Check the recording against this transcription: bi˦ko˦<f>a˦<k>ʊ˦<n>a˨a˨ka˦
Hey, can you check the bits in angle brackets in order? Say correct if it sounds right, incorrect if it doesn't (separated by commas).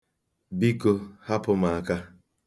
incorrect, incorrect, incorrect